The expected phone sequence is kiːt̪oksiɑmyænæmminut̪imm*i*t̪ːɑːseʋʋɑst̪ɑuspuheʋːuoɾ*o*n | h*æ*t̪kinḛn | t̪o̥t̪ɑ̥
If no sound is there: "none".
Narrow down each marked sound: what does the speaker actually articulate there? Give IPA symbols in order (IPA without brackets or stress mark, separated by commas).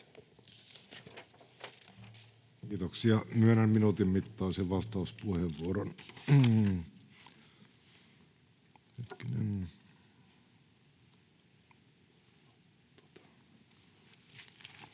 i, o, e